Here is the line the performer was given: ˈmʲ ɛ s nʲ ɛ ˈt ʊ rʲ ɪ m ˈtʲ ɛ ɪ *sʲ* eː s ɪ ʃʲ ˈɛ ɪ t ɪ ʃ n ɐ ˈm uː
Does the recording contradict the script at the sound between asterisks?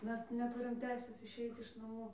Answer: no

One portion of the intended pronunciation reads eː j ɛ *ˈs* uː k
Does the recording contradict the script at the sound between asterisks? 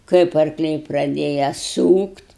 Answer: no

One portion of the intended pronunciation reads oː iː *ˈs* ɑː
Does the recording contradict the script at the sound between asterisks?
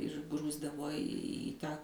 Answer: yes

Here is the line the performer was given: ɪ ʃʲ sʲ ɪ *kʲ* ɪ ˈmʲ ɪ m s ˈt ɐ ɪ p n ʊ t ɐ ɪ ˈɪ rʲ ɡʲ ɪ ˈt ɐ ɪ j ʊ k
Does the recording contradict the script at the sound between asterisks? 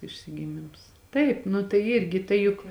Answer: yes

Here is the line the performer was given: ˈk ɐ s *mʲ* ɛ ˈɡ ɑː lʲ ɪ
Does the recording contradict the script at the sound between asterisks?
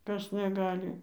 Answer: yes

